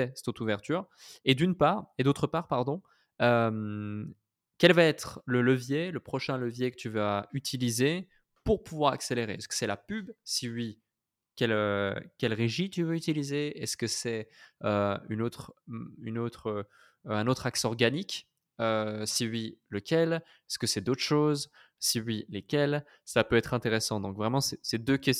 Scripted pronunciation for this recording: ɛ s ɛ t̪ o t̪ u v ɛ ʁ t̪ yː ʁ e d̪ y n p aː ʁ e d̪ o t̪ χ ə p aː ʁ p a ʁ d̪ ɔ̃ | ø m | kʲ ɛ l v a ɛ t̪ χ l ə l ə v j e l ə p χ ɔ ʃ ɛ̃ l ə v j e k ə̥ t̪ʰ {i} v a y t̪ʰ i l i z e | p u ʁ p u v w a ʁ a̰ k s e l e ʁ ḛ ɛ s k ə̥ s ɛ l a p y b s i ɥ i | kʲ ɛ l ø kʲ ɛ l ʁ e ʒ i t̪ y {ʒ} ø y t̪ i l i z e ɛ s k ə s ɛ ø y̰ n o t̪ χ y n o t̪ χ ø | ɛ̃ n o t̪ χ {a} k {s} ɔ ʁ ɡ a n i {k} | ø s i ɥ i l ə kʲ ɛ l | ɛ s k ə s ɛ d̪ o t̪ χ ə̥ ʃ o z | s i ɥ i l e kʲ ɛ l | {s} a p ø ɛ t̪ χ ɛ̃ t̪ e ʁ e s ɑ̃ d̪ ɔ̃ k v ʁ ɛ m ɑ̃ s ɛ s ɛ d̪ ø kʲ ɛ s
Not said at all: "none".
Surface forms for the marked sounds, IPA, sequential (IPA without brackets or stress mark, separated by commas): y, v, a, s, k, s